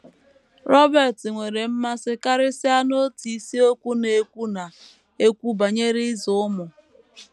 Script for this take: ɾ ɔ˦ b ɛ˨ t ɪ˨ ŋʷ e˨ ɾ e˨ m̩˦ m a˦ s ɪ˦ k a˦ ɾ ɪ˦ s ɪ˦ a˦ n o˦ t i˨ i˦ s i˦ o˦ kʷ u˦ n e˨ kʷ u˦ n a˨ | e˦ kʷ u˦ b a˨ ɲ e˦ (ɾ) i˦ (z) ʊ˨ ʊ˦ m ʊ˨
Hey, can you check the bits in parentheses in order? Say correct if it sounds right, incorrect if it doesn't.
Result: correct, correct

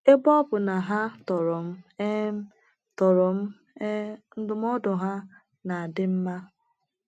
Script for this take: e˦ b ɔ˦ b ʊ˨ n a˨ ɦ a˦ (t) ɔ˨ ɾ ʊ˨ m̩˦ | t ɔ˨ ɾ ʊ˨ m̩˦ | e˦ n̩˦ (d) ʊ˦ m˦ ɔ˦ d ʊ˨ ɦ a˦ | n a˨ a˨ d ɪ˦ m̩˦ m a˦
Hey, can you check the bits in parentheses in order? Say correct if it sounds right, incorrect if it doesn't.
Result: correct, correct

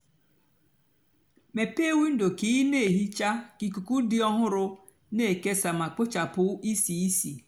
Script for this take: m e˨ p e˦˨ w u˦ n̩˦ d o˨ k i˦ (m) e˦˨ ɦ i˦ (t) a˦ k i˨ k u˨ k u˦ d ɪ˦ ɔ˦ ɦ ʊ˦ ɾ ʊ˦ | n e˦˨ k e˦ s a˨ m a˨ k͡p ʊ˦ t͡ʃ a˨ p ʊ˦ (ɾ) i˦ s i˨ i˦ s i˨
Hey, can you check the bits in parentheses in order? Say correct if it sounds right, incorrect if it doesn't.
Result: incorrect: n, incorrect: t͡ʃ, incorrect: none

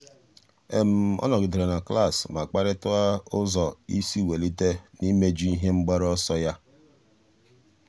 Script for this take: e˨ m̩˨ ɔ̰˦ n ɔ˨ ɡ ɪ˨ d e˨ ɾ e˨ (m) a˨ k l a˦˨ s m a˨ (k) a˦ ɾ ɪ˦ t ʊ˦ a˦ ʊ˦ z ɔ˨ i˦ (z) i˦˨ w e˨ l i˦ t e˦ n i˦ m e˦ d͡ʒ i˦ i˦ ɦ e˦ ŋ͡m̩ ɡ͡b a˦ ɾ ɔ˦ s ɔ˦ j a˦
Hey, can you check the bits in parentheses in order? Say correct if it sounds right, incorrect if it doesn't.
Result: incorrect: n, incorrect: k͡p, incorrect: s

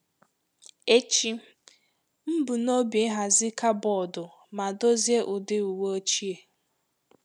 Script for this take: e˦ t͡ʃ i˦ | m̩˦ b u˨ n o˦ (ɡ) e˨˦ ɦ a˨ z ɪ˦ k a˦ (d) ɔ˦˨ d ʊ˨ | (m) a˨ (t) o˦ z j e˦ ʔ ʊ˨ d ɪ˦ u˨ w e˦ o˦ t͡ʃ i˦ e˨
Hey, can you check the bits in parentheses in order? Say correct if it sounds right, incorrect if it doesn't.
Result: incorrect: b, incorrect: b, correct, incorrect: d

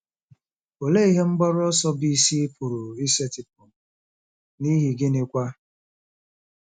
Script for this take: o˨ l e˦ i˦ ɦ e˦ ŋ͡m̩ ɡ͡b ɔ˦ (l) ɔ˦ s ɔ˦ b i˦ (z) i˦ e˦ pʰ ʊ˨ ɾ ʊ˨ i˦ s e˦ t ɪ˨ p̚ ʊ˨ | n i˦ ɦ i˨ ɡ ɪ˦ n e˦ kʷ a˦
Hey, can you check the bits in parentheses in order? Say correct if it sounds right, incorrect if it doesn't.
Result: incorrect: ɾ, incorrect: s

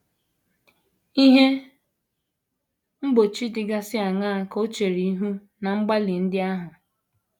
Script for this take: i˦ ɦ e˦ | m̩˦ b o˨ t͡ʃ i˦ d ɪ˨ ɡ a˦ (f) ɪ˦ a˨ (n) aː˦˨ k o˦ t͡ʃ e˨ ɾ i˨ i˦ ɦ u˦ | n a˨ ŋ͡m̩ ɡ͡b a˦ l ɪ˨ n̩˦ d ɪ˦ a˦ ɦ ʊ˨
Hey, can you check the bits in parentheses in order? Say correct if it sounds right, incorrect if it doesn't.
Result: incorrect: s, incorrect: ŋ

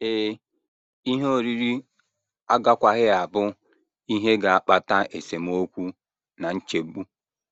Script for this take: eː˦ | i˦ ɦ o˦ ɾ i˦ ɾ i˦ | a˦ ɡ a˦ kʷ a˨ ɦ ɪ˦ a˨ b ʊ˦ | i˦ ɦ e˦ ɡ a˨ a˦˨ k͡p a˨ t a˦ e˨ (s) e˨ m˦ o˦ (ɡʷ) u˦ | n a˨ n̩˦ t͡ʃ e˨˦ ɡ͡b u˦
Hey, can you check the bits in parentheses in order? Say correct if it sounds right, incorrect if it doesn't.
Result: correct, incorrect: kʷ

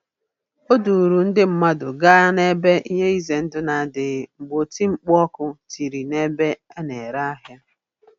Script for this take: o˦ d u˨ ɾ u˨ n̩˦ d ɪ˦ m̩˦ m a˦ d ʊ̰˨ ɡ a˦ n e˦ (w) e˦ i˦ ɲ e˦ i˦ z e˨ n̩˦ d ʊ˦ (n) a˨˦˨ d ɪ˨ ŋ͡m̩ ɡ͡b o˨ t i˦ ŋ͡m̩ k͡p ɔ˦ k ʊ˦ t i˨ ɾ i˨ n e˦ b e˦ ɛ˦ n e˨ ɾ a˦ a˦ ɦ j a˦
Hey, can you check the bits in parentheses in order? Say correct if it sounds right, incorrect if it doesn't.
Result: incorrect: b, correct

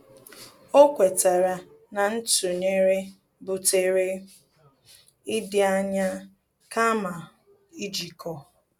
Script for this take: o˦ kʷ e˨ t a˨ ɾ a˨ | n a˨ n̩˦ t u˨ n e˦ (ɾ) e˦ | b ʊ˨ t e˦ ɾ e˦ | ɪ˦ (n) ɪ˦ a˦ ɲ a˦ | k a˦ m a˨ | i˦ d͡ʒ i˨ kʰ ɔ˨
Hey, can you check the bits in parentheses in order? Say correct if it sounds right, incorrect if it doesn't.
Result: correct, incorrect: d

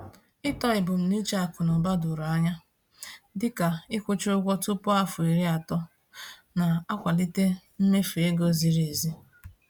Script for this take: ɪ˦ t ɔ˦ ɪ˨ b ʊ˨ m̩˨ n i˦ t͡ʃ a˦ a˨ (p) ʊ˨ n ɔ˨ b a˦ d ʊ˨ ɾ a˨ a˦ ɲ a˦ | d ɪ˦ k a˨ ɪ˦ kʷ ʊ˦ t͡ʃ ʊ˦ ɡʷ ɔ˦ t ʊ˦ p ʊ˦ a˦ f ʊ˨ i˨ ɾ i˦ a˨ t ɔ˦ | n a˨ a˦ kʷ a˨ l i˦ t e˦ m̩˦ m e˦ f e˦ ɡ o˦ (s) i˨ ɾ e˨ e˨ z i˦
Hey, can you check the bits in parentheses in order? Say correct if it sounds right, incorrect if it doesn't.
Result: incorrect: k, incorrect: z

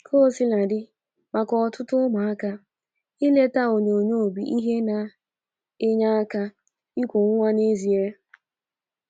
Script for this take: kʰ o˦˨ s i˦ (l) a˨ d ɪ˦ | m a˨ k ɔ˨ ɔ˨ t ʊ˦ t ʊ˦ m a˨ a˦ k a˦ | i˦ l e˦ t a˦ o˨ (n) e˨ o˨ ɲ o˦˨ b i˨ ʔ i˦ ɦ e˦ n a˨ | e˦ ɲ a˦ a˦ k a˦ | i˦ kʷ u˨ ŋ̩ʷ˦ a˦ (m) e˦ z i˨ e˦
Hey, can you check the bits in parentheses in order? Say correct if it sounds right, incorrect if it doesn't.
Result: correct, incorrect: ɲ, incorrect: n

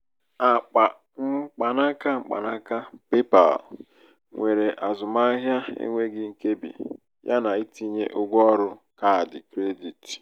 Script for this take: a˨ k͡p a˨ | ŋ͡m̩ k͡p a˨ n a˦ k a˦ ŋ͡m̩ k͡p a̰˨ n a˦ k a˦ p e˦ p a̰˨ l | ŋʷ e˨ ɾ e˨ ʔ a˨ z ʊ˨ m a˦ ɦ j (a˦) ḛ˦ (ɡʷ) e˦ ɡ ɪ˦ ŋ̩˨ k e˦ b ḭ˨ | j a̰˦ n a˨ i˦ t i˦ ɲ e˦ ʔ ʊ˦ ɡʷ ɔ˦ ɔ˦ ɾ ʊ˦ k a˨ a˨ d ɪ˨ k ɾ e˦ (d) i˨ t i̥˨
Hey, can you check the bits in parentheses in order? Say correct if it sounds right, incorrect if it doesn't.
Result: correct, incorrect: ŋʷ, correct

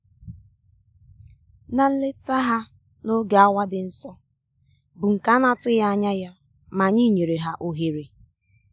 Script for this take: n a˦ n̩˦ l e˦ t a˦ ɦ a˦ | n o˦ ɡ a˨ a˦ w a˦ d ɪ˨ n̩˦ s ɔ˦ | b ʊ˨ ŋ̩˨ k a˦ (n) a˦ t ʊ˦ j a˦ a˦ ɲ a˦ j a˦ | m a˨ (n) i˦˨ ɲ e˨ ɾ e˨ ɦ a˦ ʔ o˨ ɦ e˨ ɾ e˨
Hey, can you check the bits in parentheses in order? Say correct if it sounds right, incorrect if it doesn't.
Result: correct, incorrect: ɲ

